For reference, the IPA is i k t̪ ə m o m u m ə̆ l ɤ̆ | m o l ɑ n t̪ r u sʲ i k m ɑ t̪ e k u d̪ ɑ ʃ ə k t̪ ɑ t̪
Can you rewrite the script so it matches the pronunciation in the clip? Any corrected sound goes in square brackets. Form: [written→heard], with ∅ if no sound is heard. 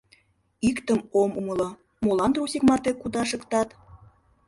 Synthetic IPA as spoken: i k t̪ ə m o m u m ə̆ l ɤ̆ | m o l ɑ n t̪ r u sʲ i k m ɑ t̪ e k u d̪ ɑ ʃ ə k t̪ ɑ t̪